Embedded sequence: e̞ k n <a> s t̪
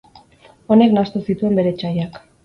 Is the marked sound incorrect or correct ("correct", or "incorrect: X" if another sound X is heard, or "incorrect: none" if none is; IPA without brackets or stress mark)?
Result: correct